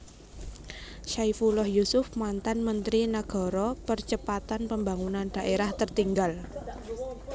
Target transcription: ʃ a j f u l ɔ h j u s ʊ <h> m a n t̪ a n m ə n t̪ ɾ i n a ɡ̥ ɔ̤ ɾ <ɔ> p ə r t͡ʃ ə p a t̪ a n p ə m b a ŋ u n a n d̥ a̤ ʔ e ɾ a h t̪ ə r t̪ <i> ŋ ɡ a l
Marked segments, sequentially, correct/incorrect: incorrect: f, correct, correct

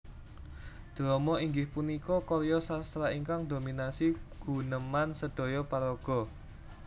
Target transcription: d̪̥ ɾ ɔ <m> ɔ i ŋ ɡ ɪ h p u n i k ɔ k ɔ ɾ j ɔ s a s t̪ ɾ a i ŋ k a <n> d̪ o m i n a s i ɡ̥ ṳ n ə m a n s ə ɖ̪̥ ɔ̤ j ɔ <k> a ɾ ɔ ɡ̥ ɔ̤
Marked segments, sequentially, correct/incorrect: correct, incorrect: ŋ, incorrect: p

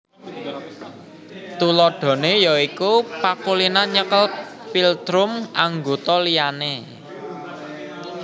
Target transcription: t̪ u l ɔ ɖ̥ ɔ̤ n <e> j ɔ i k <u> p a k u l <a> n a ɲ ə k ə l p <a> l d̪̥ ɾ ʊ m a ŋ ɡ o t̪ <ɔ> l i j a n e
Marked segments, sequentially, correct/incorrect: correct, correct, incorrect: i, incorrect: i, correct

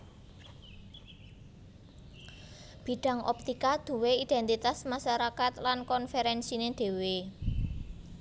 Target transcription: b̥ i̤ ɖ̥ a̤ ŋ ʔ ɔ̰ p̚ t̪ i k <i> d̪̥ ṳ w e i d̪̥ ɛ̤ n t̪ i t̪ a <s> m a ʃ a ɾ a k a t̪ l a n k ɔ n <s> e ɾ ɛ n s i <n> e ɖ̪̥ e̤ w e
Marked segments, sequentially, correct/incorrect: incorrect: a, correct, incorrect: f, correct

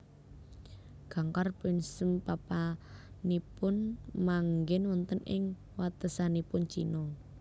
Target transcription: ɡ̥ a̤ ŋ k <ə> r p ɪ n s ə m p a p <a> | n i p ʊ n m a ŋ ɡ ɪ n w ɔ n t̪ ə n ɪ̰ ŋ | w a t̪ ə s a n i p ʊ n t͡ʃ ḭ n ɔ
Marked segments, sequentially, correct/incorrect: incorrect: a, correct

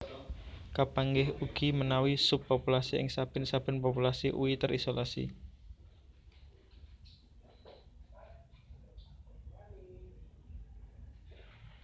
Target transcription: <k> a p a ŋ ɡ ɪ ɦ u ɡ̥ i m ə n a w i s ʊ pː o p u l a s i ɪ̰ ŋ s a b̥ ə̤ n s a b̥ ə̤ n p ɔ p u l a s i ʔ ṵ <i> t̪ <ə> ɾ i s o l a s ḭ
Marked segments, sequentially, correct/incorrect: correct, correct, correct

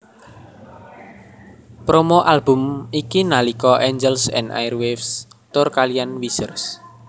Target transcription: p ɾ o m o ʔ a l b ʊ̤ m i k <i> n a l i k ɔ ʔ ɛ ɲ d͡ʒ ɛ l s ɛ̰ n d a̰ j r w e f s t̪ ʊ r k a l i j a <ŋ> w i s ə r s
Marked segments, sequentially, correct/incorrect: correct, incorrect: n

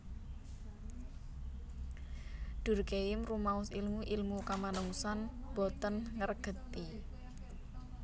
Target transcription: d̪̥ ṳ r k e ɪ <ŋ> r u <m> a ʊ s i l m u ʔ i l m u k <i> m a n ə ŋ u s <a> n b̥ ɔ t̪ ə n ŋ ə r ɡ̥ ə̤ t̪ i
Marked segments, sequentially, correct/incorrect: incorrect: m, correct, incorrect: a, correct

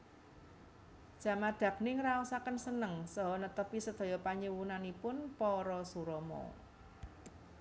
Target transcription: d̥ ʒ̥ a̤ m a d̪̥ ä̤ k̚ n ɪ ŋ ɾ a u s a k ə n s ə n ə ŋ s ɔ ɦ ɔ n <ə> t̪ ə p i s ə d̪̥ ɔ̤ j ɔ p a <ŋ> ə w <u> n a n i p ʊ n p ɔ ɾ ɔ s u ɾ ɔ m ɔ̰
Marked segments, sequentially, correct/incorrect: correct, incorrect: ɲ, correct

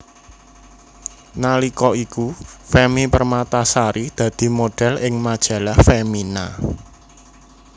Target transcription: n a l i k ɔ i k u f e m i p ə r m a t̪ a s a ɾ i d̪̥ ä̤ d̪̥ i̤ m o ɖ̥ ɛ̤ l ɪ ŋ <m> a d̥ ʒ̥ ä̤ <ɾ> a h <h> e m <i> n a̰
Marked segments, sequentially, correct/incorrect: correct, incorrect: l, incorrect: f, correct

